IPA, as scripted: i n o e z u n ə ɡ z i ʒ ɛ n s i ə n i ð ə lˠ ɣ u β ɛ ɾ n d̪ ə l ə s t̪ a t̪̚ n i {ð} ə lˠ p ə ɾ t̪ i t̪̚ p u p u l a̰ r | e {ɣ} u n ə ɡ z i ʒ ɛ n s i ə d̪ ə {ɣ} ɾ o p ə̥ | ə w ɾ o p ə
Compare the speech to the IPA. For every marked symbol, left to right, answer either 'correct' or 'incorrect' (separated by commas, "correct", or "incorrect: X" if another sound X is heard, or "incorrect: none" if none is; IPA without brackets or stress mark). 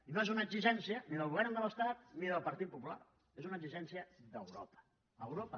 correct, incorrect: z, incorrect: w